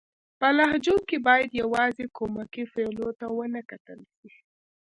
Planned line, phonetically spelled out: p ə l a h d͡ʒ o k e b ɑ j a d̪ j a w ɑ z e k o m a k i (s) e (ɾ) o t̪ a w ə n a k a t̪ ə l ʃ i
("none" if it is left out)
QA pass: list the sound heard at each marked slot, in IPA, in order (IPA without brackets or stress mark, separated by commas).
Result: f, l